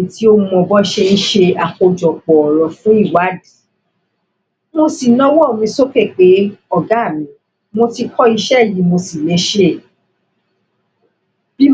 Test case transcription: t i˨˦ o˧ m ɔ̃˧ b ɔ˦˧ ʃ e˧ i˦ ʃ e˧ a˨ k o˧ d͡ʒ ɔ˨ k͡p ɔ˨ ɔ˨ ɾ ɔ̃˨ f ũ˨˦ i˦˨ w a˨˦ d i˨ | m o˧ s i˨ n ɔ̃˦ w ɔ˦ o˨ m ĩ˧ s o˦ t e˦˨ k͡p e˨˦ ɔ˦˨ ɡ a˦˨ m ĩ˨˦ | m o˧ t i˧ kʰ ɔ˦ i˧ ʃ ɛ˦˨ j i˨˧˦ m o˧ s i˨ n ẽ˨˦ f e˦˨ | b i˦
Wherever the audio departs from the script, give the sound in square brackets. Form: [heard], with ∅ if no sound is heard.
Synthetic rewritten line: t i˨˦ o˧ m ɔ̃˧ b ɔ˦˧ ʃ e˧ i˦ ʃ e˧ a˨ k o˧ d͡ʒ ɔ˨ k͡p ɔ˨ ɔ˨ ɾ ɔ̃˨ f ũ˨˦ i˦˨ w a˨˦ d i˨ | m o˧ s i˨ n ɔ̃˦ w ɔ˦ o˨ m ĩ˧ s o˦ [k] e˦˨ k͡p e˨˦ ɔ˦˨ ɡ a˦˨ m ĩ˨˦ | m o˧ t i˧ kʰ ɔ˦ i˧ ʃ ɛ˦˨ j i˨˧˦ m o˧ s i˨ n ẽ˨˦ [ʃ] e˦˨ | b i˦